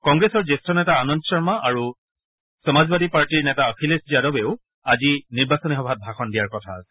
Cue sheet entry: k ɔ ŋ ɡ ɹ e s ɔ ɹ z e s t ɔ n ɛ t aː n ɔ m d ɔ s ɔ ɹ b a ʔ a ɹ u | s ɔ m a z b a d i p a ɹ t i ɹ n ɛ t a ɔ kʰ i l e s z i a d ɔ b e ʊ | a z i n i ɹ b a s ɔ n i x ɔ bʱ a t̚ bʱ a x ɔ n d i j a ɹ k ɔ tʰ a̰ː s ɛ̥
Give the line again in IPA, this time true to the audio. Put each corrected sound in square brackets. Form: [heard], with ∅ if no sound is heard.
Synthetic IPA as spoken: k ɔ ŋ ɡ ɹ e s ɔ ɹ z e s t ɔ n ɛ t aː n ɔ [n] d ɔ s ɔ ɹ [m] a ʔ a ɹ u | s ɔ m a z b a d i p a ɹ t i ɹ n ɛ t a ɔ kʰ i l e s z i a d ɔ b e ʊ | a z i n i ɹ b a s ɔ n i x ɔ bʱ a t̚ bʱ a x ɔ n d i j a ɹ k ɔ tʰ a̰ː s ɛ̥